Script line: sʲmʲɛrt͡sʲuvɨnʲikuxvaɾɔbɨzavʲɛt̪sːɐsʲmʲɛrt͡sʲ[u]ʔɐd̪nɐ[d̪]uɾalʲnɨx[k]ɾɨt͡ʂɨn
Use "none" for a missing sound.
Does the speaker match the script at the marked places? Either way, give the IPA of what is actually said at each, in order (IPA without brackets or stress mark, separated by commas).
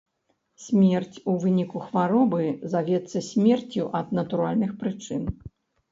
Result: u, t̪, p